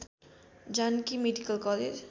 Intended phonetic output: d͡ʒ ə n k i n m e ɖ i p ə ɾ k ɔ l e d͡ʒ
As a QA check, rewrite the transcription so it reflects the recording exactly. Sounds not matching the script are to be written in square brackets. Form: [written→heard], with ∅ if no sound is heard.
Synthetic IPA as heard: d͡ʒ [ə→a] n k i [n→∅] m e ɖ i [p→k] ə [ɾ→l] k ɔ l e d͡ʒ